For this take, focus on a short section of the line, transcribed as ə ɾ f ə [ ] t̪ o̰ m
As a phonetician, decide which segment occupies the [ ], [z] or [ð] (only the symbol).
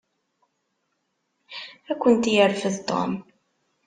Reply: ð